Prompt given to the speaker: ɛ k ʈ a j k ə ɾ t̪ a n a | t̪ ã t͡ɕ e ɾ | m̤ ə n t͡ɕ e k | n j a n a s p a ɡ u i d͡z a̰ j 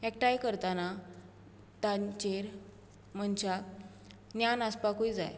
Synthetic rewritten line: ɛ k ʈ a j k ə ɾ t̪ a n a | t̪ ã t͡ɕ e ɾ | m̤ ə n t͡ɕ a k | n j a n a s p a k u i d͡z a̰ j